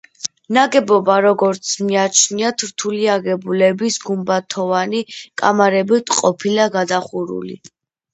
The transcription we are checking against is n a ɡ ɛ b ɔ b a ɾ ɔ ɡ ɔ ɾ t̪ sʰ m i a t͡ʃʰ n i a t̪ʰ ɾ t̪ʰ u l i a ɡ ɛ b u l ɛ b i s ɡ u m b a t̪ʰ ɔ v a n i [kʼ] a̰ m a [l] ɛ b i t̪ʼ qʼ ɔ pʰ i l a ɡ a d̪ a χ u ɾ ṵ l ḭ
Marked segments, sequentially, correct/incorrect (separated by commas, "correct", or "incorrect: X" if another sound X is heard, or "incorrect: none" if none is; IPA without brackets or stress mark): correct, incorrect: ɾ